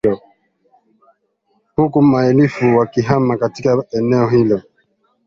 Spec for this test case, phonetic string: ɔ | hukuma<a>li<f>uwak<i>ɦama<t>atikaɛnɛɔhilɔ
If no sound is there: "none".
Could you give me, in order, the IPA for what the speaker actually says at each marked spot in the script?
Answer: ɛ, f, i, k

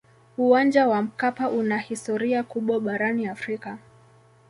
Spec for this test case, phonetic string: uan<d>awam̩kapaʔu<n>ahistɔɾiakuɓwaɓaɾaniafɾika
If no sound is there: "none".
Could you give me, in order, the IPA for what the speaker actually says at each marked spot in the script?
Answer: d͡ʒ, n

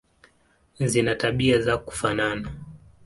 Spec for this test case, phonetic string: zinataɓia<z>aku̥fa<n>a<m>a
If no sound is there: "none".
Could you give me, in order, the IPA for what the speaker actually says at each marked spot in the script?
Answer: z, n, n

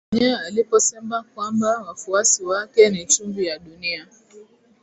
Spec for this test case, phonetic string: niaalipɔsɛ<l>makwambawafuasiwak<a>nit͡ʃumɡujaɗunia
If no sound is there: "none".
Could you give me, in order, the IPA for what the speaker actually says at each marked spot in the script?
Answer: none, ɛ

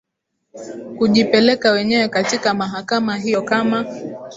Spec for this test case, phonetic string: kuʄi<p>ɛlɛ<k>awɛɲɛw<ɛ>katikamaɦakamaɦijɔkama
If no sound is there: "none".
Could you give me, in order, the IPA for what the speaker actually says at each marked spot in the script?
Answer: p, k, ɛ

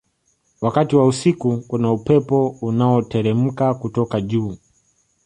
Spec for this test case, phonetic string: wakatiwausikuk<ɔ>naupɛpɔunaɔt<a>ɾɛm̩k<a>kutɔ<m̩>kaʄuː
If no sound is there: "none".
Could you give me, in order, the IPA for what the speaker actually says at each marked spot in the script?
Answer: u, ɛ, a, none

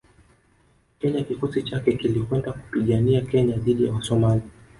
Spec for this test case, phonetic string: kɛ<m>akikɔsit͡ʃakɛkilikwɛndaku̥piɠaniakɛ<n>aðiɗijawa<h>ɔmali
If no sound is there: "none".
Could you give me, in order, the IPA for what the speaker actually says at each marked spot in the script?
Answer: ɲ, ɲ, s

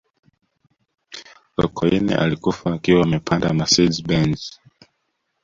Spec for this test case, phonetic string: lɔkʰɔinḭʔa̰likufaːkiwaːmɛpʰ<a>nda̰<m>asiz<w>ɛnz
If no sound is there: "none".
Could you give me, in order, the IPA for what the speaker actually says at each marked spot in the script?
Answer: a, m, b

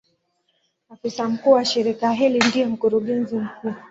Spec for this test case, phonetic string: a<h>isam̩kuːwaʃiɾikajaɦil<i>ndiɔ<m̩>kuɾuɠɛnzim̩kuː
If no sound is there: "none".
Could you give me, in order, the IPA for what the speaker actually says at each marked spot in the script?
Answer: f, i, m̩

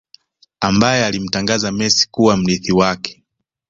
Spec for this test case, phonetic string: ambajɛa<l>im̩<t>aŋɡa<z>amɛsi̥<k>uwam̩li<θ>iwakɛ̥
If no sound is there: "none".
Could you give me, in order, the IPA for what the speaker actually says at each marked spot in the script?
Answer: l, t, z, k, θ

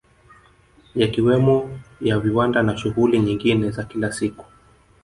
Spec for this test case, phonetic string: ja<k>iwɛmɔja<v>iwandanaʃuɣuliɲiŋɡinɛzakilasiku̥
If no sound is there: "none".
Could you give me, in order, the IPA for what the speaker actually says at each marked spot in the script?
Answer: k, v

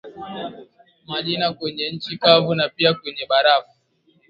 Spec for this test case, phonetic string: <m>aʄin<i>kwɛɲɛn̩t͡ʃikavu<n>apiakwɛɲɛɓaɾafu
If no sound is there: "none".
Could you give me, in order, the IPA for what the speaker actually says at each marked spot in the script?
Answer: m, a, n

